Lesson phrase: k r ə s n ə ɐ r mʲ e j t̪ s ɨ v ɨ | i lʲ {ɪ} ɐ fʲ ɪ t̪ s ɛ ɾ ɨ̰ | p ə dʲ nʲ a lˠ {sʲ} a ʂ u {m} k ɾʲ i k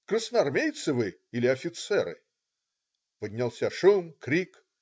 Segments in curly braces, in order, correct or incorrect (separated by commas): correct, correct, correct